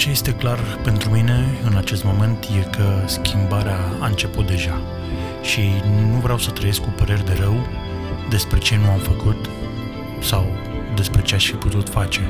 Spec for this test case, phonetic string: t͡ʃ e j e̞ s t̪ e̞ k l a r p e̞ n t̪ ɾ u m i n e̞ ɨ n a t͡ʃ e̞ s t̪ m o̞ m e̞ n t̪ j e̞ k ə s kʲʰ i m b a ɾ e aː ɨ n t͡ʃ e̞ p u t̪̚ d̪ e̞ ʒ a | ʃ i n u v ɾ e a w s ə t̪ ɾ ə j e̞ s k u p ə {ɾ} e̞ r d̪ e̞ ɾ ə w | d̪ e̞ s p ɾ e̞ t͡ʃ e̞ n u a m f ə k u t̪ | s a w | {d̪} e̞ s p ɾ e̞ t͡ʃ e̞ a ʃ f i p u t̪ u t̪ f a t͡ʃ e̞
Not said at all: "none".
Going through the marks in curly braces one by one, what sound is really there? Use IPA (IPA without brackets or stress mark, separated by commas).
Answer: ɾ, d̪